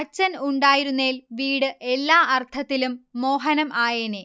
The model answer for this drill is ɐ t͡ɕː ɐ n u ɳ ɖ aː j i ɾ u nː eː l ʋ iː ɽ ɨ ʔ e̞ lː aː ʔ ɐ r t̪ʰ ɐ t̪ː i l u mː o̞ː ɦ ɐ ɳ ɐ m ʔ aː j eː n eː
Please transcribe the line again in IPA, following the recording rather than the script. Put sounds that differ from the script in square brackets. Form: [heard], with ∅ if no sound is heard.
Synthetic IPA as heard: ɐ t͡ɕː ɐ n u ɳ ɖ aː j i ɾ u nː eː l ʋ iː ɽ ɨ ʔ e̞ lː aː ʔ ɐ r t̪ʰ ɐ t̪ː i l u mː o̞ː ɦ ɐ [n] ɐ m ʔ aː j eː n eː